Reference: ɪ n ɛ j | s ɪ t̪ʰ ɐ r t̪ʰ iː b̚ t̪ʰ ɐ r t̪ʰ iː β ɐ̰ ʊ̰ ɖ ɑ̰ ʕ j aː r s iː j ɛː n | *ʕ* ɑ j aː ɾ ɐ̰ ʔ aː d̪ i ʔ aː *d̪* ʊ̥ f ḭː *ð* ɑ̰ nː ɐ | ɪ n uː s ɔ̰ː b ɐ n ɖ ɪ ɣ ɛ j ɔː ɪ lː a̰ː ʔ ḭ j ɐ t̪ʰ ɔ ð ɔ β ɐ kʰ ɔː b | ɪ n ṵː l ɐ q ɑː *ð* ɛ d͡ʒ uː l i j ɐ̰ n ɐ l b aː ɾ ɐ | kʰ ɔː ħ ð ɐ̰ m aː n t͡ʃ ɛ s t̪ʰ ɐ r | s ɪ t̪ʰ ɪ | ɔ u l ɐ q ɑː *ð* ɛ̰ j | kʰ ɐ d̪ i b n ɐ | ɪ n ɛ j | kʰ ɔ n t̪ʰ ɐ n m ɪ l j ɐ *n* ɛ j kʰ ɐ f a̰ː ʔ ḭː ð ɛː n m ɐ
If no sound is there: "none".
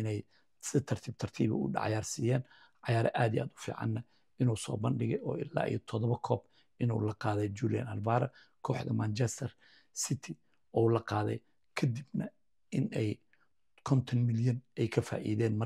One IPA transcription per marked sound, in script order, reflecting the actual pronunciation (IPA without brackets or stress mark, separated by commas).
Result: ʕ, d̪, ʕ, ð, ð, n